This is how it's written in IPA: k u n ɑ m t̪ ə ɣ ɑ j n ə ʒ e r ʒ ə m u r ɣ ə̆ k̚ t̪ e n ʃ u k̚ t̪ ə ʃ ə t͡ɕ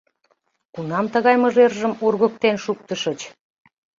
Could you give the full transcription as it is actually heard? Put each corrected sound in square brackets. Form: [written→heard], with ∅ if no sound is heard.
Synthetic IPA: k u n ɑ m t̪ ə ɣ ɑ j [n→m] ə ʒ e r ʒ ə m u r ɣ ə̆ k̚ t̪ e n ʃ u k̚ t̪ ə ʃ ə t͡ɕ